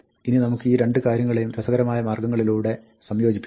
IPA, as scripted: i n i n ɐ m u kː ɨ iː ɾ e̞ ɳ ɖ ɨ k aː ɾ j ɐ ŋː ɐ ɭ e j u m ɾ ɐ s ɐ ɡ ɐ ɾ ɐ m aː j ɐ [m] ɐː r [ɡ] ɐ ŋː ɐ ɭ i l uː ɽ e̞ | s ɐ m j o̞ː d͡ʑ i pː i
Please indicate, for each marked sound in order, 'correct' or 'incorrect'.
correct, correct

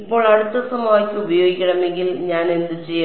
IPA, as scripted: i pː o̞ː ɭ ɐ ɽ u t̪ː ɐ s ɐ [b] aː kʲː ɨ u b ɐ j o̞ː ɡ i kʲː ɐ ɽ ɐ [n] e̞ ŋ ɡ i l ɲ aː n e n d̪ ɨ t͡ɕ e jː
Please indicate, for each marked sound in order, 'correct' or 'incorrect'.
incorrect, incorrect

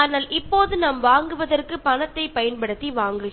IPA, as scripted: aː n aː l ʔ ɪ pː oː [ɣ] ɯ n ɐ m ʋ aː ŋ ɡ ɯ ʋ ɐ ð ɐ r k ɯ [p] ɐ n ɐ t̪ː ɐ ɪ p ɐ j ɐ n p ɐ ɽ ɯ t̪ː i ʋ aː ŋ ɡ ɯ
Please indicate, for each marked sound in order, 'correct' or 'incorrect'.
incorrect, correct

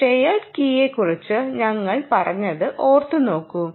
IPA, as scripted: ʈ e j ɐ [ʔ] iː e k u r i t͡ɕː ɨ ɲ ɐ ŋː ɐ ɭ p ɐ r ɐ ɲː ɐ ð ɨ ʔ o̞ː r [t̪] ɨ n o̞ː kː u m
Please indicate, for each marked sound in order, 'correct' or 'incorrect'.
incorrect, correct

